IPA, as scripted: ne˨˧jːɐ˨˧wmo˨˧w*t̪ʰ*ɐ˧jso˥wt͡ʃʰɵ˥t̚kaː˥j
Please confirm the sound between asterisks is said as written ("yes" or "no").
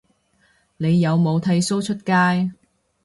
yes